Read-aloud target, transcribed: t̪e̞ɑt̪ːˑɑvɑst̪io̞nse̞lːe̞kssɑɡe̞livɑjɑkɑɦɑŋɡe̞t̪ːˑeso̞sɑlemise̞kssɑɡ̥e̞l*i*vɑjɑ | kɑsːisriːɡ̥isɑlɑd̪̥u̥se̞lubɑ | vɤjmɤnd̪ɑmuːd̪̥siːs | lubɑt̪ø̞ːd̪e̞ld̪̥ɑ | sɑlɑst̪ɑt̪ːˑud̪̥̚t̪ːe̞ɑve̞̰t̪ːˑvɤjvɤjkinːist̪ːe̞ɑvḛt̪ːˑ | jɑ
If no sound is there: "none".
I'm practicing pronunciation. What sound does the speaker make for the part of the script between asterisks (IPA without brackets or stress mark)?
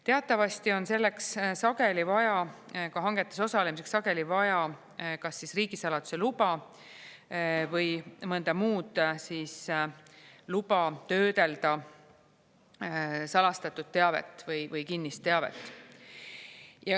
i